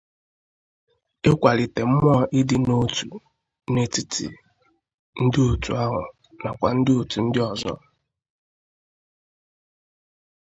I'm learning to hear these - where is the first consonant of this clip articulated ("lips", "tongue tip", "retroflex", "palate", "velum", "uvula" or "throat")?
velum